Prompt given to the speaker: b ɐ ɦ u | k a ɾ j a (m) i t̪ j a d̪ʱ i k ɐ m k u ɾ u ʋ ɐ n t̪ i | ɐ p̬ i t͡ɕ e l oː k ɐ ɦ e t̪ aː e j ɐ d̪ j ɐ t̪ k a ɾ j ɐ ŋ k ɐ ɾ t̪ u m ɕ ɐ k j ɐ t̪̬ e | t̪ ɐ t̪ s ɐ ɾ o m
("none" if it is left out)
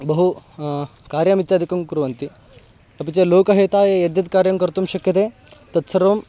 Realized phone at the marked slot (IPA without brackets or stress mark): m